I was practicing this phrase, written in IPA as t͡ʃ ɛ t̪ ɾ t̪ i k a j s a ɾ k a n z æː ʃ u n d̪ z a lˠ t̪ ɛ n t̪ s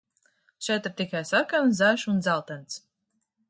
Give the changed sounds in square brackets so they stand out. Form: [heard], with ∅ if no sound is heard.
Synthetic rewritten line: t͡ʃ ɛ t̪ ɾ t̪ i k a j s a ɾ k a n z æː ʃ u n d̪ z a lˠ t̪ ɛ n t̪ s